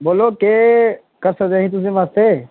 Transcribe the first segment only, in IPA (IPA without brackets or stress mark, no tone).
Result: b